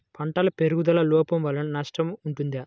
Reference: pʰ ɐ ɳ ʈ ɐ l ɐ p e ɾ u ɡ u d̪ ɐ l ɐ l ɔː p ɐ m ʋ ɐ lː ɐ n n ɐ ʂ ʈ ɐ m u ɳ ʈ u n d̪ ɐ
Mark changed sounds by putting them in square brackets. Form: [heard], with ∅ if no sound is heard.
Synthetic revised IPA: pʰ ɐ ɳ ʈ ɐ l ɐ p e ɾ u ɡ u d̪ ɐ l ɐ l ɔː p ɐ m ʋ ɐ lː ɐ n n ɐ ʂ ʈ ɐ m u ɳ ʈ u n d̪ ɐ